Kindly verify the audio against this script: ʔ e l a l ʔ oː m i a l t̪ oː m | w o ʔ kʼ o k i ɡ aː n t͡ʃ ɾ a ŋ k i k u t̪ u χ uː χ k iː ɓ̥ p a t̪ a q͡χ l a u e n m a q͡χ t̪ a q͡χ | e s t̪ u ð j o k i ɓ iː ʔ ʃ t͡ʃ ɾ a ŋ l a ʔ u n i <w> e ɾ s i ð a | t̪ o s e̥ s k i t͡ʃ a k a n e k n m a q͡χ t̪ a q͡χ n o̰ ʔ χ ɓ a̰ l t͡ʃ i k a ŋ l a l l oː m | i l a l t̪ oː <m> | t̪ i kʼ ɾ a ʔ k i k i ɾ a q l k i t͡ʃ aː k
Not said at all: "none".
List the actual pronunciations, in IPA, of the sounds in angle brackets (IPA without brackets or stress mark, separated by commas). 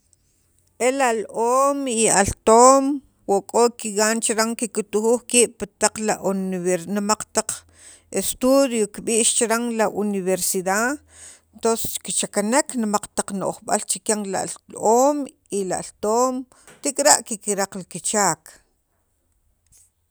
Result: β, m